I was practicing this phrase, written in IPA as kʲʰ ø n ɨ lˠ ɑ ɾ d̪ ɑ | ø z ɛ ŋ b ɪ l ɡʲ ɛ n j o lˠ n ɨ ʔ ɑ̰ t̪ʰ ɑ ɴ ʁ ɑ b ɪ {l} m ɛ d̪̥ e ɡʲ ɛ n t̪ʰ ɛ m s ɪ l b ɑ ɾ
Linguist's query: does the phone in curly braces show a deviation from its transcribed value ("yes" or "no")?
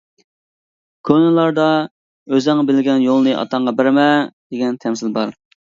yes